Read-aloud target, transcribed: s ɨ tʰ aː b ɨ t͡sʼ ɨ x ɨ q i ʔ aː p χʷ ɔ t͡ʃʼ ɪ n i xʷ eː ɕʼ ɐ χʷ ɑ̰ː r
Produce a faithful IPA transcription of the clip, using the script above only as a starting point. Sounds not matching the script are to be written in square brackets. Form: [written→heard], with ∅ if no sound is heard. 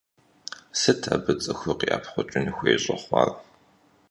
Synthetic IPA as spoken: s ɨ tʰ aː b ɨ t͡sʼ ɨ x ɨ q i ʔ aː p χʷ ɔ t͡ʃʼ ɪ n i xʷ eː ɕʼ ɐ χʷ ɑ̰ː r